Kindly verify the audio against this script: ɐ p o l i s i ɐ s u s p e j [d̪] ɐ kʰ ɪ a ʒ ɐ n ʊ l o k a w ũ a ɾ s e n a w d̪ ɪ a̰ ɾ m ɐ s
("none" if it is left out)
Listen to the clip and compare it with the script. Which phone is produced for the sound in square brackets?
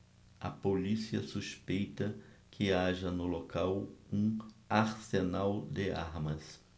t̪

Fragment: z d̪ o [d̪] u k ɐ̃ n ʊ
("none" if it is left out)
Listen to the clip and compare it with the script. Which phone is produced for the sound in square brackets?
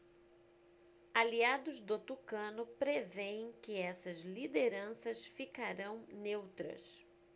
t̪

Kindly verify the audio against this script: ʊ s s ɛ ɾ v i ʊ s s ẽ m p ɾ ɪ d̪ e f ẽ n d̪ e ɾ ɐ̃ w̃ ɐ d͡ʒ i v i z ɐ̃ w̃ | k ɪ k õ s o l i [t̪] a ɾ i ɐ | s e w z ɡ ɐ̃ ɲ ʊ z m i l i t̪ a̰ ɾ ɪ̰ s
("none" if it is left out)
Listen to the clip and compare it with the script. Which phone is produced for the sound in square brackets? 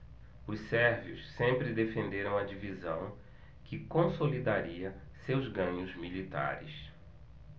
d̪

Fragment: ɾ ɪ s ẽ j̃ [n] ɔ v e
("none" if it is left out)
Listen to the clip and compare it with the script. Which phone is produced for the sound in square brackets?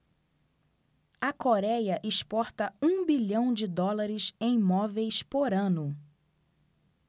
m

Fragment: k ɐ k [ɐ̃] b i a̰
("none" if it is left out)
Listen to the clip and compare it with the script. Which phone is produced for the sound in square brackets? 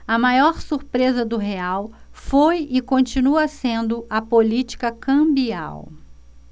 ɐ̃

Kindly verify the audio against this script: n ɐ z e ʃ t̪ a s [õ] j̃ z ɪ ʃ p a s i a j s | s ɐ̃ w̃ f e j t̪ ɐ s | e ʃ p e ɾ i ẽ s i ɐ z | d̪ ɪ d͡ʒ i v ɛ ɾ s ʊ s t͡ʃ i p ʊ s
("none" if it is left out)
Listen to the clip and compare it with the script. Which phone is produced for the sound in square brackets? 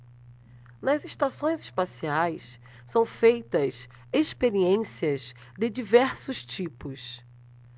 õ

